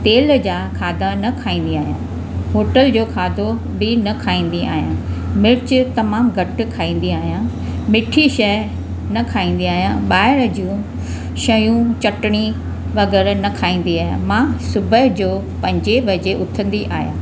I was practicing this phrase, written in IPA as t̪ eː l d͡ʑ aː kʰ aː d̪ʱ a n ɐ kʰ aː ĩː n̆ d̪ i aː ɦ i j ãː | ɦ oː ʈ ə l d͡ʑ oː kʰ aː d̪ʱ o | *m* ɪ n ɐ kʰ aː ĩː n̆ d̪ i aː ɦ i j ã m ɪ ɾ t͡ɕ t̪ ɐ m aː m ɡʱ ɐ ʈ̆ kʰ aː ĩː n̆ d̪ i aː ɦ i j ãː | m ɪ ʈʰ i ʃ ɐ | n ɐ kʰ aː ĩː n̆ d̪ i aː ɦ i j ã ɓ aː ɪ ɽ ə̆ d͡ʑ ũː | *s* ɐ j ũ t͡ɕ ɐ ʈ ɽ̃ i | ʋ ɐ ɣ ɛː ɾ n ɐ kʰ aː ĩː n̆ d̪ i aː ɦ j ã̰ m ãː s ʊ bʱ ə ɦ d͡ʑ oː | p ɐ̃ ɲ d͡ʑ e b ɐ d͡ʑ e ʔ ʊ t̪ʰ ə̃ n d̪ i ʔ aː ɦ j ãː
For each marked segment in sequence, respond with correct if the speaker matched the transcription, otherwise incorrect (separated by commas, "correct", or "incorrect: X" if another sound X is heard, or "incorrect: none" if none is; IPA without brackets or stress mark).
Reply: incorrect: b, incorrect: ʃ